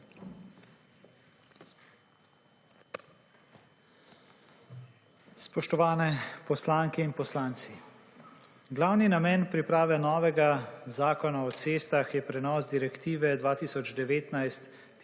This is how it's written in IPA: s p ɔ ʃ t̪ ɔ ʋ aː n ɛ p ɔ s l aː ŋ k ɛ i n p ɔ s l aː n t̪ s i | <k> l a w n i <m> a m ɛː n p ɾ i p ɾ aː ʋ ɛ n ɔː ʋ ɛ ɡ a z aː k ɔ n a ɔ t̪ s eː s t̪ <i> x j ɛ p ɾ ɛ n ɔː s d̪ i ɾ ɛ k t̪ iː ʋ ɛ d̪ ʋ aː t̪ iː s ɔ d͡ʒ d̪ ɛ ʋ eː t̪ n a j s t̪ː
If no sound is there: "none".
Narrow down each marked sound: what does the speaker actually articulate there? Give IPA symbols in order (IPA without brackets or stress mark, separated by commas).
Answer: ɡ, n, a